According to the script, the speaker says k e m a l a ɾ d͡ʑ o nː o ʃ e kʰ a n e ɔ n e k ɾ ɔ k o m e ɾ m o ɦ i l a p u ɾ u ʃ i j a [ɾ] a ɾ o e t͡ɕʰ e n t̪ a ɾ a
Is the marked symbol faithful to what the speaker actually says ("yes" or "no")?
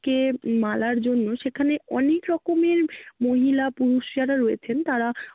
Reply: yes